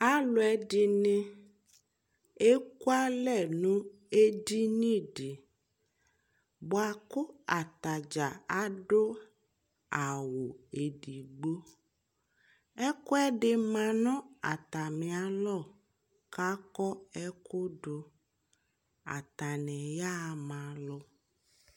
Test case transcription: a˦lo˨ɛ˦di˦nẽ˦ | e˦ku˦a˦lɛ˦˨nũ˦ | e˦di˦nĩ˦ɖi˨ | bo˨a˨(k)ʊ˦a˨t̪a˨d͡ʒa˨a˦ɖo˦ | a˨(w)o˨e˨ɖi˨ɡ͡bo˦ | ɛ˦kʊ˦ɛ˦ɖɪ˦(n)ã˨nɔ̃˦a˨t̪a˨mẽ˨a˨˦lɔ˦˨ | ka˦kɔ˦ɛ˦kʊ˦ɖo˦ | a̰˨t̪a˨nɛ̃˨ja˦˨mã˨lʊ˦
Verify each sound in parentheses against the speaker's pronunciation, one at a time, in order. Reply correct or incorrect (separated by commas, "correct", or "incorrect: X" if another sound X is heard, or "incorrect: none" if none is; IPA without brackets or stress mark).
correct, correct, incorrect: m